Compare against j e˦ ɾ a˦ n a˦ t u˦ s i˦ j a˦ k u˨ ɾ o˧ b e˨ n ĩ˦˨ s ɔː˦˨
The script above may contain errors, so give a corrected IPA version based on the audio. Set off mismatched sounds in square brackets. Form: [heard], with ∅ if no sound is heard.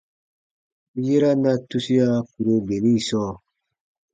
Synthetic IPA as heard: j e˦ ɾ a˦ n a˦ t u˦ s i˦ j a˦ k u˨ ɾ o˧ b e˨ n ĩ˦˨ s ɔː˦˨